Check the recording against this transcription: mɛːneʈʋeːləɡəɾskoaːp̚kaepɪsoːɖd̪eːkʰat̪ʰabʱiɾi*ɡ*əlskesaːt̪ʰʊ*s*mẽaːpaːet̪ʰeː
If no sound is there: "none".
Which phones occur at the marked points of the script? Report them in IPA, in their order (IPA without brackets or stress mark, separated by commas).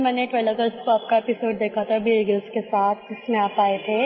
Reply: ɡ, s